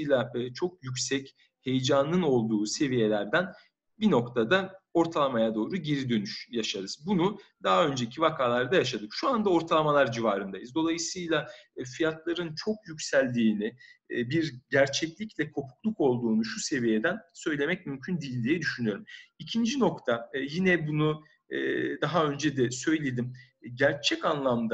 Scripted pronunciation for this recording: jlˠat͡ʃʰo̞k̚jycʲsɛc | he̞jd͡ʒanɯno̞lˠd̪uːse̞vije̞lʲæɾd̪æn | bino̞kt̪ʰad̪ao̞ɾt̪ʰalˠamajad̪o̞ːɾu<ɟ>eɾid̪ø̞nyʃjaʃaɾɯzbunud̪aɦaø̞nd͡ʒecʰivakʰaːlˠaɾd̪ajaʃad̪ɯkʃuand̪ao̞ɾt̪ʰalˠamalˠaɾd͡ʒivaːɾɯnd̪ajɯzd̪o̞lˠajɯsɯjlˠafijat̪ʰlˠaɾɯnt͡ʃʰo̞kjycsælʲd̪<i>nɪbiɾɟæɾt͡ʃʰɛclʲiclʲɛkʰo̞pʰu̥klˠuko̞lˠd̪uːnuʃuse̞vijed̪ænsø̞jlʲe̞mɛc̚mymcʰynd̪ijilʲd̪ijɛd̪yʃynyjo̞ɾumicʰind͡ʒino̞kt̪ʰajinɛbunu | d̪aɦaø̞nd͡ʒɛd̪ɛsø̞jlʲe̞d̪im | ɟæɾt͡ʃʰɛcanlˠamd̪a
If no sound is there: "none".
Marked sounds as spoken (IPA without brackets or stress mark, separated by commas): ɟ, iː